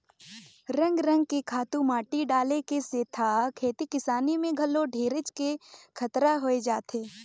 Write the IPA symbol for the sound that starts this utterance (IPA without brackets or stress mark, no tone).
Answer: ɾ